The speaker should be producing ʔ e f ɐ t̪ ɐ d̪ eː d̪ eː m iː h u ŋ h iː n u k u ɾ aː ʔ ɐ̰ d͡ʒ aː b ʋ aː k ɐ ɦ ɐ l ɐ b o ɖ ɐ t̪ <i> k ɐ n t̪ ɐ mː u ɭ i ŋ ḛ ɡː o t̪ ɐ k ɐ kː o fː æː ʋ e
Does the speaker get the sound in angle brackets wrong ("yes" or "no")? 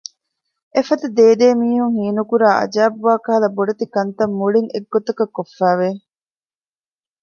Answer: no